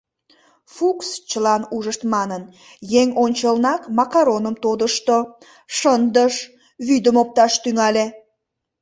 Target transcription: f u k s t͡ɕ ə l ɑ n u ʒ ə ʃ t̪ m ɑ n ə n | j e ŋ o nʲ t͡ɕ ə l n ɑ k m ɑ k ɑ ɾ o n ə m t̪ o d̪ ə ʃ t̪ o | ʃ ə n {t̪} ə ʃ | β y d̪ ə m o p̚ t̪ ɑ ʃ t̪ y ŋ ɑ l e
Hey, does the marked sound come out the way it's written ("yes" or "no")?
no